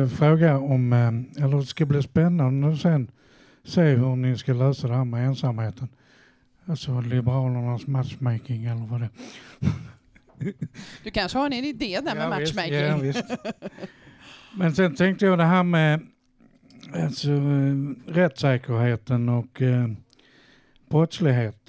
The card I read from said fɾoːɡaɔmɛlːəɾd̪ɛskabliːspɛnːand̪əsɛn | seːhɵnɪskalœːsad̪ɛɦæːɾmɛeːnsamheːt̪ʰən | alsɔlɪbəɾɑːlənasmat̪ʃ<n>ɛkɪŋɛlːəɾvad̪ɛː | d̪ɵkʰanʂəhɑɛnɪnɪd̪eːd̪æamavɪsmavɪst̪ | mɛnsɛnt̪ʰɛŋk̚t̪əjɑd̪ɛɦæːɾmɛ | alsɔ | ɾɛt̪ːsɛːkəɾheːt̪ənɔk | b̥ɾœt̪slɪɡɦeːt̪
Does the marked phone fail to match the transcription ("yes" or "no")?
yes